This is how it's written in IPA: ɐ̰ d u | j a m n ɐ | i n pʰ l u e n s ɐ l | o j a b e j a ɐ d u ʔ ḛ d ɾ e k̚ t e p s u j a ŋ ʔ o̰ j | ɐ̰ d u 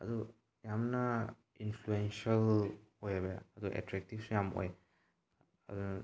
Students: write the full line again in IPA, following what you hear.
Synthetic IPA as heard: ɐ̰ d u | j a m n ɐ | i n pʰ l u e n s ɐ l | o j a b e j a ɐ d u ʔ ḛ t ɾ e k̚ t i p s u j a m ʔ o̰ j | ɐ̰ d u